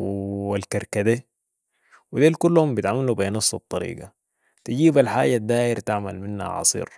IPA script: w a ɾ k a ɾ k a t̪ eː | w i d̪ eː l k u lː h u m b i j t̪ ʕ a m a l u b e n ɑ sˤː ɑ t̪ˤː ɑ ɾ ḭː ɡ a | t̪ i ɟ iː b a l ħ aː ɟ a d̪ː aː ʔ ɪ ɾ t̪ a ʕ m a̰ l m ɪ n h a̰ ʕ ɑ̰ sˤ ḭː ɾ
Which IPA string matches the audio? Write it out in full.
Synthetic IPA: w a l k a ɾ k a d̪ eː | w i d̪ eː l k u lː h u m b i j t̪ ʕ a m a l u b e n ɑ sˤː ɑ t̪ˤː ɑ ɾ ḭː ɡ a | t̪ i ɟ iː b a l ħ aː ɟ a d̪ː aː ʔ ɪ ɾ t̪ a ʕ m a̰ l m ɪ n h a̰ ʕ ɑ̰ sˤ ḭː ɾ